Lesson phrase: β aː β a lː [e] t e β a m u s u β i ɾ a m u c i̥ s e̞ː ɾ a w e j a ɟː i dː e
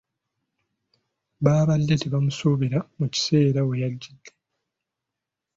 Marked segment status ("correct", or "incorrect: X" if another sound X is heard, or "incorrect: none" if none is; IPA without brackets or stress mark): correct